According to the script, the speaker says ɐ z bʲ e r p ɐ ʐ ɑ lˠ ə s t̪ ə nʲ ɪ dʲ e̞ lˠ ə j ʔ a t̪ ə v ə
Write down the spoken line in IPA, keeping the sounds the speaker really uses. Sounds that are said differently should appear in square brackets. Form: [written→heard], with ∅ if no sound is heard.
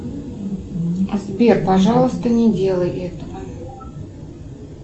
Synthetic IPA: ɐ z bʲ e r p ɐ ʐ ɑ lˠ ə s t̪ ə nʲ ɪ dʲ e̞ lˠ ə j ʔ [a→ɛ] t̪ ə v ə